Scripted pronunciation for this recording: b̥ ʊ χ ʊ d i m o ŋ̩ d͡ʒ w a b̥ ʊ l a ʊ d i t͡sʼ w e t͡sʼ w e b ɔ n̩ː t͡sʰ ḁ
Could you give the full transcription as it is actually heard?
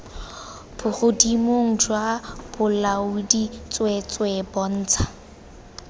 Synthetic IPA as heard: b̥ ʊ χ ʊ d i m o ŋ̩ d͡ʒ w a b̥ ʊ l a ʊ d i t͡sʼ w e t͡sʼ w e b ɔ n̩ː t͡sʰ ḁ